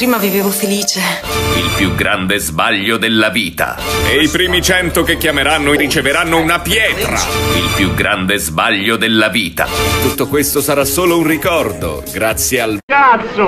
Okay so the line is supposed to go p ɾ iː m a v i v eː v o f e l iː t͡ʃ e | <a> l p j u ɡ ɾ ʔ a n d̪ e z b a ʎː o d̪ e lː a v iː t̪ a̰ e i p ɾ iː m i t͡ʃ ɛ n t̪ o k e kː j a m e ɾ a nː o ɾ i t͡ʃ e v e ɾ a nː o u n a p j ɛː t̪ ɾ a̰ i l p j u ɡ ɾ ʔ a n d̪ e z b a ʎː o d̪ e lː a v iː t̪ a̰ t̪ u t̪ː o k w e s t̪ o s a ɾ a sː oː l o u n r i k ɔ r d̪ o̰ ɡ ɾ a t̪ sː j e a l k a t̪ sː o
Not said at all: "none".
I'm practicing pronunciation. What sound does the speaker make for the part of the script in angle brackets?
i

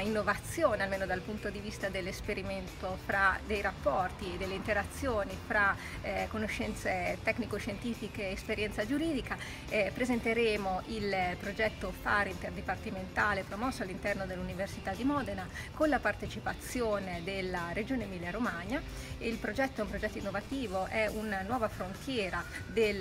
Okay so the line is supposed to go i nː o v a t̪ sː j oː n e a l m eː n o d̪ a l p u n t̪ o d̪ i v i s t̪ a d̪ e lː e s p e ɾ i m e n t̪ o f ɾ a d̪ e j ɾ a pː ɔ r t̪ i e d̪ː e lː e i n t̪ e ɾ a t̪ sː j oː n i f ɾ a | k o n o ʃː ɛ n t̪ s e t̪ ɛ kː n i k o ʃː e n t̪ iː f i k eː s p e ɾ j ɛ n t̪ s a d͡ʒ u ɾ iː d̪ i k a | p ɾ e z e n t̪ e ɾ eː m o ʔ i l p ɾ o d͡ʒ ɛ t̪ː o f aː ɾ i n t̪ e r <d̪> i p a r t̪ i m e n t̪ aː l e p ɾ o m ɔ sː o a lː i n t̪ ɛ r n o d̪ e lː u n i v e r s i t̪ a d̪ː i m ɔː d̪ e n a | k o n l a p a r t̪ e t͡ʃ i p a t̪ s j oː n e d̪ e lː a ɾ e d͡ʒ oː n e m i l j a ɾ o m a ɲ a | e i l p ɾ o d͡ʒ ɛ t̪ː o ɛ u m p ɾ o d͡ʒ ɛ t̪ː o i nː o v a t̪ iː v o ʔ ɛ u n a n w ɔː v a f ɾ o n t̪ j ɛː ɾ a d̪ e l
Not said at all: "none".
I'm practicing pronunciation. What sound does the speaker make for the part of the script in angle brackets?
d̪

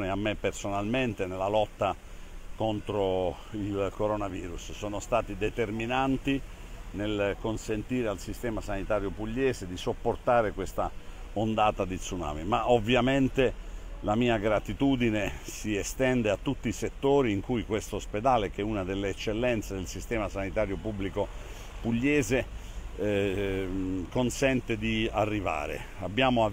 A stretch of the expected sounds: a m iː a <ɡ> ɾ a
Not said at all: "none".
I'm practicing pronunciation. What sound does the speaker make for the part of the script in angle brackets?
ɡ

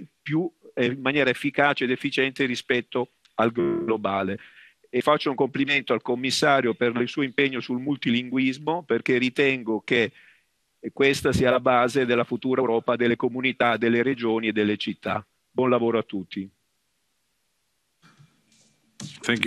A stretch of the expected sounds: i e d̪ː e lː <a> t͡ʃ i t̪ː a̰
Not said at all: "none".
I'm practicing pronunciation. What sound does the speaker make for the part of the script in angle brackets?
e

